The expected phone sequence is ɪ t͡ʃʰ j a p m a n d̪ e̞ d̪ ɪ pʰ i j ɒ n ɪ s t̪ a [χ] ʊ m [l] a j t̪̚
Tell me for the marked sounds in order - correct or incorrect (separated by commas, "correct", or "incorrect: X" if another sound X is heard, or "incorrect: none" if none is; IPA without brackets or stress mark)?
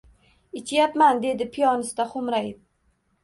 correct, incorrect: ɾ